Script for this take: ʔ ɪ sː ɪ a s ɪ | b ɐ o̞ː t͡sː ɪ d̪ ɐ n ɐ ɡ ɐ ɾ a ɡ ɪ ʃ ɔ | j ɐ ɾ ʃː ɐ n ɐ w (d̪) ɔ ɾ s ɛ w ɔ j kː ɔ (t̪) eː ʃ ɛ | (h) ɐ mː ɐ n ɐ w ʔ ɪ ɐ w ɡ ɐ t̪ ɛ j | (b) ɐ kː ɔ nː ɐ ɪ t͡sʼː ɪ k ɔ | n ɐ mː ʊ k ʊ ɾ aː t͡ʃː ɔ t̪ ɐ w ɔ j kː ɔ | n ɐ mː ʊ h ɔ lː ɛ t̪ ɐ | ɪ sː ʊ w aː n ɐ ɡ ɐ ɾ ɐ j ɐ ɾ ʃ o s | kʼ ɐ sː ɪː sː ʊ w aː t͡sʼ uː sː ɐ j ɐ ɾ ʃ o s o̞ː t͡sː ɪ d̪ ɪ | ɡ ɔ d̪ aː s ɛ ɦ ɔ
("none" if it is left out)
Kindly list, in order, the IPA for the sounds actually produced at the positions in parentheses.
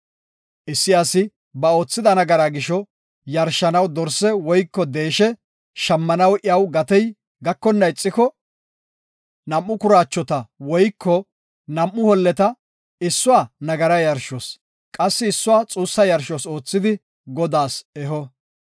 d̪, d̪, ʃ, ɡ

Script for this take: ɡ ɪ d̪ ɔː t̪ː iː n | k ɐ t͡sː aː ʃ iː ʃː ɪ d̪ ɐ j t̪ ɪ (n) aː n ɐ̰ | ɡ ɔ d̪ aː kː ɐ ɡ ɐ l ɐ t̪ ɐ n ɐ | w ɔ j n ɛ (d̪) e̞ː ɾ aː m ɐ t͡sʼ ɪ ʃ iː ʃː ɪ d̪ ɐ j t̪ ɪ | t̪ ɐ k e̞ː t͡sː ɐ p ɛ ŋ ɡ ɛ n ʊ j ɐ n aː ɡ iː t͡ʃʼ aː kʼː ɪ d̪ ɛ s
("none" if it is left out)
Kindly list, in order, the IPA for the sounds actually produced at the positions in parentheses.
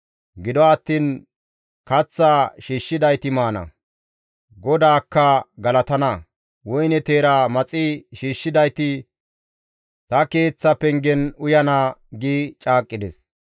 m, t̪

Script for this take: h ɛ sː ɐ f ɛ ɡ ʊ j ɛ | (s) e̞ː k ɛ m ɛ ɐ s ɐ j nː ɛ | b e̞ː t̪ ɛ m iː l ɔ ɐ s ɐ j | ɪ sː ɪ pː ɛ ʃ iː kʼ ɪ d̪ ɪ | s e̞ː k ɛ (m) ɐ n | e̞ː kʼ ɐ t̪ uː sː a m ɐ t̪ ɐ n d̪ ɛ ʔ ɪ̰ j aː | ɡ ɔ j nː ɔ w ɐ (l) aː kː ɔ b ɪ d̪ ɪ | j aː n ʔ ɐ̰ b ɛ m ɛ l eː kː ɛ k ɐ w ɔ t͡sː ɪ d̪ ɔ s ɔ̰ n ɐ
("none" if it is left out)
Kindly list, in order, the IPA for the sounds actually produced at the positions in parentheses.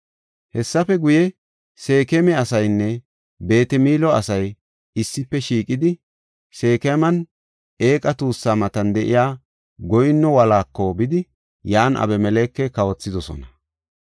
s, m, l

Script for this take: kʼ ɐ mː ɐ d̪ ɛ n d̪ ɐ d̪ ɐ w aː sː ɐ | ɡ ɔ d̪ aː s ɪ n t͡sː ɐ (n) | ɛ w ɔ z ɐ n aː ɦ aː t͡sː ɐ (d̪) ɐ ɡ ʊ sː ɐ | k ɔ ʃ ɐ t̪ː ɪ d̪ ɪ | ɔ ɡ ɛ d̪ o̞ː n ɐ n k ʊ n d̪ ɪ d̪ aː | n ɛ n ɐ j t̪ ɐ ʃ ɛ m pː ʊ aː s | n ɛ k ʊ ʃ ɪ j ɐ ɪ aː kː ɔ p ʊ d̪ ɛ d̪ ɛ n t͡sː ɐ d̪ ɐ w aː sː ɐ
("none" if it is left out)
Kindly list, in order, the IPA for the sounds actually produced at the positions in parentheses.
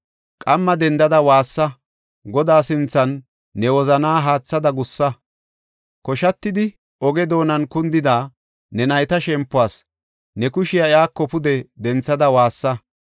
nː, d̪

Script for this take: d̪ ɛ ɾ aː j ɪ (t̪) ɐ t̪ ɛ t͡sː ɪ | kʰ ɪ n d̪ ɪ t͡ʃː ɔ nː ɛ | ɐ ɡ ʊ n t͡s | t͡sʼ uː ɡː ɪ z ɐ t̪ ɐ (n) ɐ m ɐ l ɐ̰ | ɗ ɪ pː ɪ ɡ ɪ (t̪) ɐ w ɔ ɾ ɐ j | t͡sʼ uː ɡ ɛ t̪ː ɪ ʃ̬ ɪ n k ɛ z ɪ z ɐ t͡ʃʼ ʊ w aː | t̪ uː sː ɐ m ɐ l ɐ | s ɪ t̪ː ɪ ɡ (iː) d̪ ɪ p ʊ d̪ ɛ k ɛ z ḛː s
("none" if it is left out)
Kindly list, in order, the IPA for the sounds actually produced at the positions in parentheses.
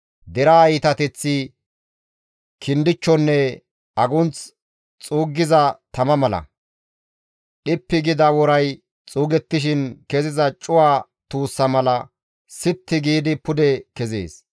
t̪, m, d̪, iː

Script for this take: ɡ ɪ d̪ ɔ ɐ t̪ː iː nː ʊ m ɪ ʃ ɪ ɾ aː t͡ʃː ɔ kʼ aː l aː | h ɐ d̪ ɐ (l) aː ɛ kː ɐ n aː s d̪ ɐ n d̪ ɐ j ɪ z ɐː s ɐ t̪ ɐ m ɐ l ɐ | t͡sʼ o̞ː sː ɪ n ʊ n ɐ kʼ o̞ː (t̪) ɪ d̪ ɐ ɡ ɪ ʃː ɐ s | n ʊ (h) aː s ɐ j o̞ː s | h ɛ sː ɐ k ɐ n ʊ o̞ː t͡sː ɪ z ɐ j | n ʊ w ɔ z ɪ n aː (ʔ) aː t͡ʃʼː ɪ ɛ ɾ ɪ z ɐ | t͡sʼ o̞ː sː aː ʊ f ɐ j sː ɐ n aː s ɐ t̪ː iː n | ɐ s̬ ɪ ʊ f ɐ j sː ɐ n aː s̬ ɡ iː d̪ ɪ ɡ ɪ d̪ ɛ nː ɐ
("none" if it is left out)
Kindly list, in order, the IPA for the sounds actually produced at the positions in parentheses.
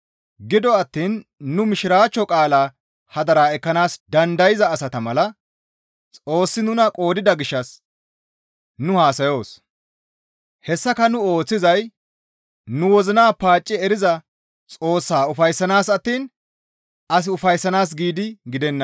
ɾ, d̪, h, p

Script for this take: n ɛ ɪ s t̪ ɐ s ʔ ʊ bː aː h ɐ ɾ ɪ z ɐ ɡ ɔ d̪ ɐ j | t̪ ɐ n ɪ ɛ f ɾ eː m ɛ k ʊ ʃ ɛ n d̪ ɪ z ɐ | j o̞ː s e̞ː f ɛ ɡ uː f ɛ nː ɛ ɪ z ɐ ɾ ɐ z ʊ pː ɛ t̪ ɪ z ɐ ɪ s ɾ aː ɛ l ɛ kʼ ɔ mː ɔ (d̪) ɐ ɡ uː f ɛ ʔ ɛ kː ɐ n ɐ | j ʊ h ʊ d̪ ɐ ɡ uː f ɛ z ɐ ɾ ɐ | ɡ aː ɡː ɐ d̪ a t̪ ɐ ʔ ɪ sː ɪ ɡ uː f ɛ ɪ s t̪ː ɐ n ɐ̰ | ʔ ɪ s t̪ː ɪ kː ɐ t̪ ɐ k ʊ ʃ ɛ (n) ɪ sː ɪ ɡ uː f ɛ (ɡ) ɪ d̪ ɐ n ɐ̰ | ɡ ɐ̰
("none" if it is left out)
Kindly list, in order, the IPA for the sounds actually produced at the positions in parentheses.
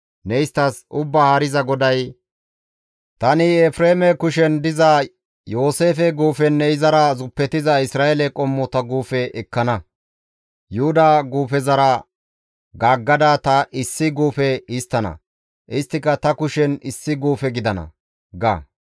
t̪, n, ɡ

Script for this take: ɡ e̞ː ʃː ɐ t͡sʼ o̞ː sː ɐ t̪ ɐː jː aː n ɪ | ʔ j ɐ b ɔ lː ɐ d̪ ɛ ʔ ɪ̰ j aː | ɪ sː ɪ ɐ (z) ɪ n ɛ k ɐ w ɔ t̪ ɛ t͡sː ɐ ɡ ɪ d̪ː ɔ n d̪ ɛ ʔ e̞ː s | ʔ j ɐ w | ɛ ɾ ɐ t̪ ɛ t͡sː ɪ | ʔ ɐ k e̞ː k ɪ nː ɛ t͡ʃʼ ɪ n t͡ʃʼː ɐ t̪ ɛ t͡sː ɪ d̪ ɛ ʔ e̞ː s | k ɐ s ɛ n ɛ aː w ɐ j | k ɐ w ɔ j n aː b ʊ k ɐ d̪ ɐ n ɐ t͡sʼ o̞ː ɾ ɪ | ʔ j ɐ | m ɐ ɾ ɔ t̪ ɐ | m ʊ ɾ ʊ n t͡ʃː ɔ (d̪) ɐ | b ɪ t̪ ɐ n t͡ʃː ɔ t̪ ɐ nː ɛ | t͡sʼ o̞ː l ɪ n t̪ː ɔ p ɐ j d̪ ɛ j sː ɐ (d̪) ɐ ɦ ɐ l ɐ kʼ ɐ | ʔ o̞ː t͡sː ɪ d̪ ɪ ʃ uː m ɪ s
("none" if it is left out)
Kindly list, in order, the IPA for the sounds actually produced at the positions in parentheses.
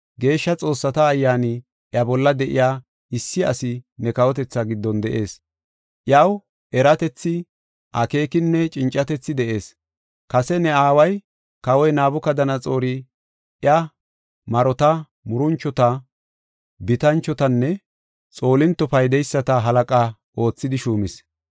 s, t̪, t̪

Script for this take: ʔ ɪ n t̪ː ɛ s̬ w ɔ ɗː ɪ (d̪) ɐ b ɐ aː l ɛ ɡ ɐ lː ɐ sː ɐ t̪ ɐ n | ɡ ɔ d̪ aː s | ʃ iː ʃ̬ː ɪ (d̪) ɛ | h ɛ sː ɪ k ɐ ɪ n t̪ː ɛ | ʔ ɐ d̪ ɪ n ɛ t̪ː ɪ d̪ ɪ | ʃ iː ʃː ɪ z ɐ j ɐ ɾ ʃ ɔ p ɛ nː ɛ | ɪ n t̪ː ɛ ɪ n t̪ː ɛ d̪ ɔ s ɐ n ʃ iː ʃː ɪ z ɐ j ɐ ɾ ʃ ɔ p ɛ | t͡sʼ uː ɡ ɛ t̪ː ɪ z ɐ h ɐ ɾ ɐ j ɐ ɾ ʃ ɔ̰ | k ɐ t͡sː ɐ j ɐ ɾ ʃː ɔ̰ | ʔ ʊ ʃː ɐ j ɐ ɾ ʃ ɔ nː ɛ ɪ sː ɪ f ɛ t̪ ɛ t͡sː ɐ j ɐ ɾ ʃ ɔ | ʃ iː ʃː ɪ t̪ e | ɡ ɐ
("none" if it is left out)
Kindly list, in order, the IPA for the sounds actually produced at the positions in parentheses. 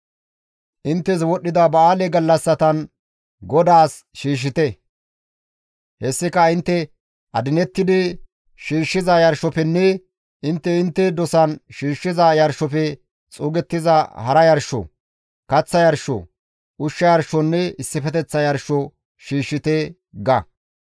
d̪, t̪

